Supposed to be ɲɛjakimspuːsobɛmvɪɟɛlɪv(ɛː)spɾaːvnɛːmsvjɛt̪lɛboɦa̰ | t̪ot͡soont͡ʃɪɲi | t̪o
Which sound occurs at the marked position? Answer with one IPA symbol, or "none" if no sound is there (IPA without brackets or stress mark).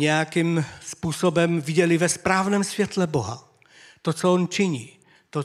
ɛ